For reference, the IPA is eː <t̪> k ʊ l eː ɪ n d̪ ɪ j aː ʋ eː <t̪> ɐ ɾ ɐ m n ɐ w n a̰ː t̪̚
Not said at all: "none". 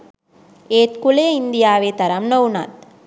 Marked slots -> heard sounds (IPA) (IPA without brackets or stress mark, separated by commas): t̪, t̪